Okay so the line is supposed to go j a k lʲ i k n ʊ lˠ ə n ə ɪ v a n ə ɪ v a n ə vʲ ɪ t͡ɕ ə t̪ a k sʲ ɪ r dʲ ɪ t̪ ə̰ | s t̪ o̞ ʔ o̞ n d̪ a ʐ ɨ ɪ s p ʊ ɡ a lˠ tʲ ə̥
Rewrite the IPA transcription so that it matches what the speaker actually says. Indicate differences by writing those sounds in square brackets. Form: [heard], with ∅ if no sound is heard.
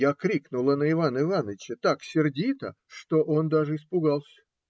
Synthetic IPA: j a k [ɾʲ] i k n ʊ lˠ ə n ə ɪ v a n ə ɪ v a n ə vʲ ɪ t͡ɕ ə t̪ a k sʲ ɪ r dʲ [i] t̪ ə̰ | [ʂ] t̪ o̞ ʔ o̞ n d̪ a ʐ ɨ ɪ s p ʊ ɡ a lˠ [sʲ] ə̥

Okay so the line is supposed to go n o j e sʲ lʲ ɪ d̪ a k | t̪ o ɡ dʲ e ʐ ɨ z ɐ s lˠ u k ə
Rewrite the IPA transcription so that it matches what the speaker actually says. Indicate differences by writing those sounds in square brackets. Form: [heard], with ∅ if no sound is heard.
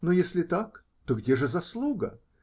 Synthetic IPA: n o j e sʲ lʲ ɪ [t̪] a k | t̪ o ɡ dʲ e ʐ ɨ z ɐ s lˠ u [ɡ] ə

